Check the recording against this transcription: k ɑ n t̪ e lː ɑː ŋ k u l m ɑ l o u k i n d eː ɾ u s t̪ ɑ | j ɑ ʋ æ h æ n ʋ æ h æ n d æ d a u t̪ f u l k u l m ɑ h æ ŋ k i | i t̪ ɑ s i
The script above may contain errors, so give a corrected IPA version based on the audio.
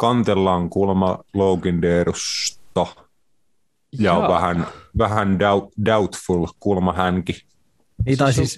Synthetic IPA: k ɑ n t̪ e lː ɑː ŋ k u l m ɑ l o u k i n d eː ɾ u s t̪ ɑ | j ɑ ʋ æ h æ n ʋ æ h æ n d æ d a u t̪ f u l k u l m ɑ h æ ŋ k i | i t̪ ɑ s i